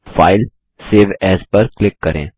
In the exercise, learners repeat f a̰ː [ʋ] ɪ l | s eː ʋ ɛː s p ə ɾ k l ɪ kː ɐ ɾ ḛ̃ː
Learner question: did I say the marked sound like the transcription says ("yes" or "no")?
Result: no